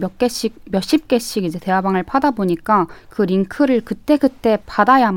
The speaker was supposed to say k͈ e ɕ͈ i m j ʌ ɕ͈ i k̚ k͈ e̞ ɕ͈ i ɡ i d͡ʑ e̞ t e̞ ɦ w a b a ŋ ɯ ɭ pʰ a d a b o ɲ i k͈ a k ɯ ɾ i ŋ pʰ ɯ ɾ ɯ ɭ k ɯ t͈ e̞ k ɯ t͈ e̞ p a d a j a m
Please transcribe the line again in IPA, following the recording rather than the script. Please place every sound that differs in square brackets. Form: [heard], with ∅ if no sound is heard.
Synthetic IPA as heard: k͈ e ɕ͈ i m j ʌ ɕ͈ i [p̚] k͈ e̞ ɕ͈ i ɡ i d͡ʑ e̞ t e̞ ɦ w a b a ŋ ɯ ɭ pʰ a d a b o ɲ i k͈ a k ɯ ɾ i ŋ [kʰ] ɯ ɾ ɯ ɭ k ɯ t͈ e̞ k ɯ t͈ e̞ p a d a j a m